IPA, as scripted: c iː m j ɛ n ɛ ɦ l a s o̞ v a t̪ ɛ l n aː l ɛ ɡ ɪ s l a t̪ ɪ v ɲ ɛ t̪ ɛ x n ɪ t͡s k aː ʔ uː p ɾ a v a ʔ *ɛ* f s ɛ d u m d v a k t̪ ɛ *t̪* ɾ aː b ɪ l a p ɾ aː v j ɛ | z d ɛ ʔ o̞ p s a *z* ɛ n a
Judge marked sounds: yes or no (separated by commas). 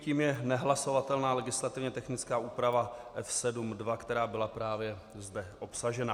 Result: yes, no, no